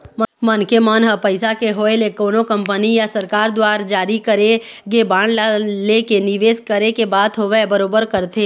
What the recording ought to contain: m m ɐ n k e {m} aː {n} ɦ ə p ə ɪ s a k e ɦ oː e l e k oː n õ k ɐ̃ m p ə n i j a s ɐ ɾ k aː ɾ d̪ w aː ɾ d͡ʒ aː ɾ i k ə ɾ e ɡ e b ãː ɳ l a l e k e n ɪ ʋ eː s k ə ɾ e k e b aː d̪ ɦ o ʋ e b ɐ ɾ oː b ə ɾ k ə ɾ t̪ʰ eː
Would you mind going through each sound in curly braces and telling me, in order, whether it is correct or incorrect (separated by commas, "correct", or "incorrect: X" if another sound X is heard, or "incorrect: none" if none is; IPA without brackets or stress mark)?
correct, correct